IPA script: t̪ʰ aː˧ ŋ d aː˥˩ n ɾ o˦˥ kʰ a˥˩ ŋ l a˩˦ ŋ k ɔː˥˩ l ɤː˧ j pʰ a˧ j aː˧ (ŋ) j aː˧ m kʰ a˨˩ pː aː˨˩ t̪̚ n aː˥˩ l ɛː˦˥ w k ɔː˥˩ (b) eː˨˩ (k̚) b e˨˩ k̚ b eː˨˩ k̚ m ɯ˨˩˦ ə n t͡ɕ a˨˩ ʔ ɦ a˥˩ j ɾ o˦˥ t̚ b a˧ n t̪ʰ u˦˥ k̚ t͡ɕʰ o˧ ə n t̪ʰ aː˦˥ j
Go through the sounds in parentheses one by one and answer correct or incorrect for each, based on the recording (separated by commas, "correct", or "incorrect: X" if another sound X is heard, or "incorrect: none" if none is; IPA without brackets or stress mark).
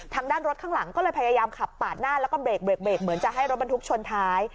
incorrect: none, correct, correct